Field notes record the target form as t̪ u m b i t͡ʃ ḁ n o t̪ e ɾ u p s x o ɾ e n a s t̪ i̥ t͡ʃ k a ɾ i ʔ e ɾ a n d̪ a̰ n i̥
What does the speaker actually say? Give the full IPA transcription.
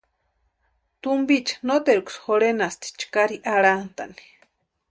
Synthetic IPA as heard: t̪ u m b i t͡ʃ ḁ n o t̪ e ɾ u k s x o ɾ e n a s t̪ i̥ t͡ʃ k a ɾ i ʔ a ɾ a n t̪ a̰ n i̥